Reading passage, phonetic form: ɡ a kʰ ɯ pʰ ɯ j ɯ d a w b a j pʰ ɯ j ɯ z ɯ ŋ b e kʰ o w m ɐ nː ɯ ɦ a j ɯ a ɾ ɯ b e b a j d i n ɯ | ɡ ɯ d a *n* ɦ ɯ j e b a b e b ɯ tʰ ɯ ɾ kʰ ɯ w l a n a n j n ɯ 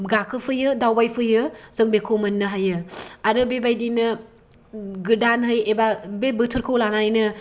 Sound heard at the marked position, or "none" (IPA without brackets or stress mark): n